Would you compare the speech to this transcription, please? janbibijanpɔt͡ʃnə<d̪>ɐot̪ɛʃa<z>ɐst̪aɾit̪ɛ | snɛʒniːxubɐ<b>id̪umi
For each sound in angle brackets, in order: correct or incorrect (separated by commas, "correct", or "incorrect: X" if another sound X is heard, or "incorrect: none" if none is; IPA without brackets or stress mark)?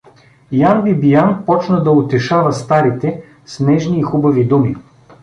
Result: correct, incorrect: v, incorrect: v